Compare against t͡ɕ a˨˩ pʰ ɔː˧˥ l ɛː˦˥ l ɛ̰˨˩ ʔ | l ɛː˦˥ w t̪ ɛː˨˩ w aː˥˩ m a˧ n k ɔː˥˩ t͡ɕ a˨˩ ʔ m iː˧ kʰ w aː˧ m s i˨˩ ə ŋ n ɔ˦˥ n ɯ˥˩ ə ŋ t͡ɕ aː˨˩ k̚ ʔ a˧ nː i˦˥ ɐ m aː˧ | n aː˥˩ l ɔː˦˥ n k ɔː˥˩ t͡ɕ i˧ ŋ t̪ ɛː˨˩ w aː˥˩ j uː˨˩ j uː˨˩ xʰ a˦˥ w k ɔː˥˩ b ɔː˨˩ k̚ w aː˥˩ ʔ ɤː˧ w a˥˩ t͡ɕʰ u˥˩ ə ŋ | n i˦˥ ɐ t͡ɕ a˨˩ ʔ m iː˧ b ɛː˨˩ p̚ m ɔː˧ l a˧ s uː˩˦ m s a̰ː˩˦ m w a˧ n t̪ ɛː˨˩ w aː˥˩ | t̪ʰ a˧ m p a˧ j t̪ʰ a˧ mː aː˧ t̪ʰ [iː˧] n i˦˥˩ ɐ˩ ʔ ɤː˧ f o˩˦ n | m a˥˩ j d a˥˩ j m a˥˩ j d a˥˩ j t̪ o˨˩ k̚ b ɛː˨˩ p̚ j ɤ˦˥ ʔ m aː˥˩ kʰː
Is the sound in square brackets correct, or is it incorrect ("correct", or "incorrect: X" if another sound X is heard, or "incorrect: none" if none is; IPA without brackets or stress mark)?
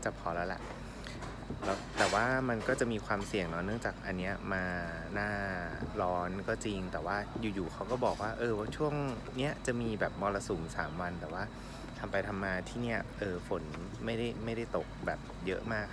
incorrect: iː˥˩